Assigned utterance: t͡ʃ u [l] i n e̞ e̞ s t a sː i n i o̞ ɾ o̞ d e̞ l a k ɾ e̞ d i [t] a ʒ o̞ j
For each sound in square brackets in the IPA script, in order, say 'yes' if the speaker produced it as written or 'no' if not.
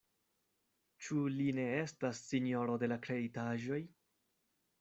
yes, yes

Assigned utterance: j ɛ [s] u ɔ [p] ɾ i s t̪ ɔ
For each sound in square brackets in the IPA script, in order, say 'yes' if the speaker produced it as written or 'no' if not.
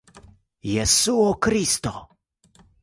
yes, no

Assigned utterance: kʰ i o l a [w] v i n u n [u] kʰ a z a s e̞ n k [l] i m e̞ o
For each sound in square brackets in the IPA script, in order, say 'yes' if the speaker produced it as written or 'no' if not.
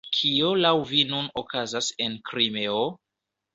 yes, no, no

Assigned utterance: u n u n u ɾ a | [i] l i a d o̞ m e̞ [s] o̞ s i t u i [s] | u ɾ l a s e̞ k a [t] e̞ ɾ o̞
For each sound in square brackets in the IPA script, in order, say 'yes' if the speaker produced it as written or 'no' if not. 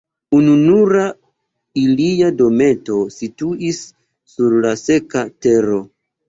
yes, no, no, yes

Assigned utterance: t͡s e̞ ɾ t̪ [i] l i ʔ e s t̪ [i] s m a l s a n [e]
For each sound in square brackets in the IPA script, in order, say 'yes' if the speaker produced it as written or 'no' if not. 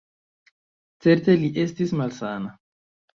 no, yes, no

